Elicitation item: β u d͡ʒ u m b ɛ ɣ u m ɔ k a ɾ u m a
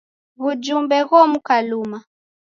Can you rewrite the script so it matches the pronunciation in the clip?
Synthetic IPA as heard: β u d͡ʒ u m b ɛ ɣ ɔ m u k a l u m a